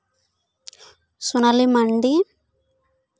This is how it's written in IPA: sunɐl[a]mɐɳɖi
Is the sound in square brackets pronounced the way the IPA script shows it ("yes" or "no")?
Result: no